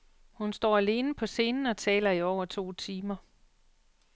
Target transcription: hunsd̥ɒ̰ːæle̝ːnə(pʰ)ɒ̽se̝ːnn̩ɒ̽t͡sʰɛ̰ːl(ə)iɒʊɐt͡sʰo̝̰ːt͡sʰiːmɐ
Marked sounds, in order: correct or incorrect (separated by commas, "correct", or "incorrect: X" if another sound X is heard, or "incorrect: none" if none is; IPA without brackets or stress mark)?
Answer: correct, incorrect: ɐ